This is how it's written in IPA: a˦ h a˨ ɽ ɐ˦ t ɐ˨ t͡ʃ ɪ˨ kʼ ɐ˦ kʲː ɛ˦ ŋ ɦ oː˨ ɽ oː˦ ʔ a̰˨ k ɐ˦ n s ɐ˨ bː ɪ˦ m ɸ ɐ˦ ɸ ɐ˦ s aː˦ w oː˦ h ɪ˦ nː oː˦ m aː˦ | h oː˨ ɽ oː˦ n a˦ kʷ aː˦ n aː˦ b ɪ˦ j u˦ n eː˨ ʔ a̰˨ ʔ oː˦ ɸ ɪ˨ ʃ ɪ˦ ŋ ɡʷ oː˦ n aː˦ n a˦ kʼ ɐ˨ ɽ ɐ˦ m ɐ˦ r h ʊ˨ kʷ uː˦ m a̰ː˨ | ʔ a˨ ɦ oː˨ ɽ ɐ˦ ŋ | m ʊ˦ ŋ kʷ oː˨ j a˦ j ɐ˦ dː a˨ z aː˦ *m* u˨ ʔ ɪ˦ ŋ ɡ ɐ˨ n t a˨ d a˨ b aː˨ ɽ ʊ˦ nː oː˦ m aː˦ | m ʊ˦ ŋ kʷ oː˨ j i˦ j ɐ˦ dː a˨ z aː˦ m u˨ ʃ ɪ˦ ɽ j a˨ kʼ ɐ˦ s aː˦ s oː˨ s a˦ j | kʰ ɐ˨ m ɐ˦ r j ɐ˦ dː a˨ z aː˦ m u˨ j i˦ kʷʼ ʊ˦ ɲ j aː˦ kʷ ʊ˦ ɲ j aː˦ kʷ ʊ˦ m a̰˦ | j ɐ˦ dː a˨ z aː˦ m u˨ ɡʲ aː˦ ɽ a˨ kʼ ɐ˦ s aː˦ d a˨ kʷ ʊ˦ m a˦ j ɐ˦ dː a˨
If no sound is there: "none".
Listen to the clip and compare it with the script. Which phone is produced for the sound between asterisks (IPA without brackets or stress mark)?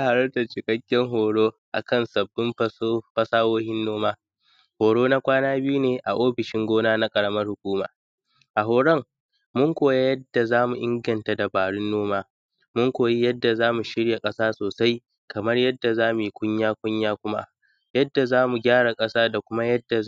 m